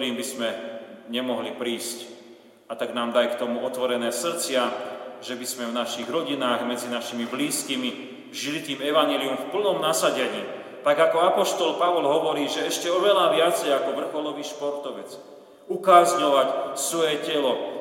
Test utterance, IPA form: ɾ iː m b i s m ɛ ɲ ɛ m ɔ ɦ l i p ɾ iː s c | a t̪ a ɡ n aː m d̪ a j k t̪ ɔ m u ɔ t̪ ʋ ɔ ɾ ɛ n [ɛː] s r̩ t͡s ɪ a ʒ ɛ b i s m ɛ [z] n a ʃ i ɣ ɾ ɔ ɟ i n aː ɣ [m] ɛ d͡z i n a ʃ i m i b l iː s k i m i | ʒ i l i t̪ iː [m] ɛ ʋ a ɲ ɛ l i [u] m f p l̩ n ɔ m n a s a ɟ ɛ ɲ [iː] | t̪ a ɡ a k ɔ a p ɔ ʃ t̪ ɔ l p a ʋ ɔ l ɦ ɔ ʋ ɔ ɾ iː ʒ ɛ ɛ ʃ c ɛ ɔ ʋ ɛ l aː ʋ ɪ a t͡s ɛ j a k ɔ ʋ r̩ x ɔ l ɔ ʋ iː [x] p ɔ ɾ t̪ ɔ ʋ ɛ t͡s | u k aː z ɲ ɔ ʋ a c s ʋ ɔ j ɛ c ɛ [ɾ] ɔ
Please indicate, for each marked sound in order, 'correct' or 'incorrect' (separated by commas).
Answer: correct, incorrect, correct, correct, correct, correct, incorrect, incorrect